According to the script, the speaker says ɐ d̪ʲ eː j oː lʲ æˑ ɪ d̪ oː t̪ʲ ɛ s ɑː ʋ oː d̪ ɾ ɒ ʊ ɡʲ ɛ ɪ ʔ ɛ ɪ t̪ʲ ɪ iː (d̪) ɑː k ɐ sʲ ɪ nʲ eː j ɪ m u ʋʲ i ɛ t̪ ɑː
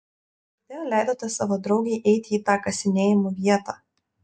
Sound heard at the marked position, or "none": t̪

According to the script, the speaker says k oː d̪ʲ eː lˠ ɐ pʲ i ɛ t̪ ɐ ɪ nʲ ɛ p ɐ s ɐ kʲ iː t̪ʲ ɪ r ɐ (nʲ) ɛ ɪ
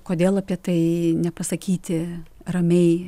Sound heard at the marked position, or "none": mʲ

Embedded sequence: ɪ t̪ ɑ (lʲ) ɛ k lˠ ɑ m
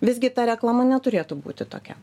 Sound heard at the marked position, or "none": ɾʲ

